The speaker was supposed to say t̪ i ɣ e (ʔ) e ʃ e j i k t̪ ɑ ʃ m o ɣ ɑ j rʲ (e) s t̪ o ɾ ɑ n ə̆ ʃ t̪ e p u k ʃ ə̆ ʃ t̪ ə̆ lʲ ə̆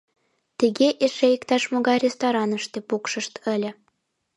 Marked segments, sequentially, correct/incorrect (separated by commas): correct, correct